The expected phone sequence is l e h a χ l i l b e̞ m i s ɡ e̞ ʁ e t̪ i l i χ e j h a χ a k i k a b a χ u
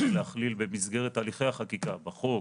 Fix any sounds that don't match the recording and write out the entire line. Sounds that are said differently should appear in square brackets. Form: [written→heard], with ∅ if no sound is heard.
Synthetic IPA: l e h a χ l i l b e̞ m i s ɡ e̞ ʁ e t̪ [i→a] l i χ e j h a χ a k i k a b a χ [u→o]